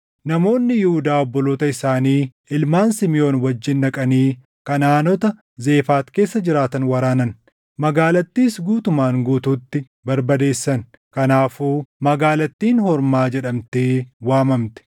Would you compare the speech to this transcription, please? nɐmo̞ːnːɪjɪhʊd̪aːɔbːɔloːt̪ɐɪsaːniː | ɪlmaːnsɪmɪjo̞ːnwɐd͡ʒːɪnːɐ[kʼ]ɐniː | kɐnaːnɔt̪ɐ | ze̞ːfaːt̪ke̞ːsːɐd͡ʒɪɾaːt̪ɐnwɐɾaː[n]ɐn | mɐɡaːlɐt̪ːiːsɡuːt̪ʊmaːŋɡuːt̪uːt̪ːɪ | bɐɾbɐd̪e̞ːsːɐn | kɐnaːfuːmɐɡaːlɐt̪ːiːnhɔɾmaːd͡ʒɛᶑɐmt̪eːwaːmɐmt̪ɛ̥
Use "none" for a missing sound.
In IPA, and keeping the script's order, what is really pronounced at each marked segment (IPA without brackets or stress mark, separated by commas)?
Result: kʼ, n